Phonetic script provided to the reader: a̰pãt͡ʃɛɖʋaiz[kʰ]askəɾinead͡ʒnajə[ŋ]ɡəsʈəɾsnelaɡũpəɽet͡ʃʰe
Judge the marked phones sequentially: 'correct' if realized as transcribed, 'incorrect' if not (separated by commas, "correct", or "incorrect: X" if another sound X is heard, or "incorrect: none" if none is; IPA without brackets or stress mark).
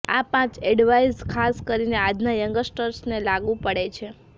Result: correct, correct